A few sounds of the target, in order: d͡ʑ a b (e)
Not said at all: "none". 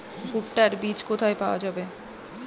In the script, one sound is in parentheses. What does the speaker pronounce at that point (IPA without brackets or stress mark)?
e